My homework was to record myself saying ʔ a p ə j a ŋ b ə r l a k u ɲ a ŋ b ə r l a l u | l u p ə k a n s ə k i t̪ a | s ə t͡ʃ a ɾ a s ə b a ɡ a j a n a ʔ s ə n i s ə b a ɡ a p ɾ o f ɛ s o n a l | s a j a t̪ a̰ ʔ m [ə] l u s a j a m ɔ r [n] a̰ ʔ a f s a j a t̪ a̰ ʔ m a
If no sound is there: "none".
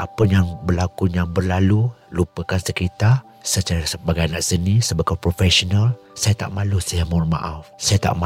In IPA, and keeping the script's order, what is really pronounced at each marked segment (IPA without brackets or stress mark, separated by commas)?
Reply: a, m